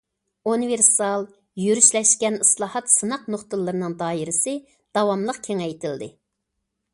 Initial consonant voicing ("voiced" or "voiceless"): voiced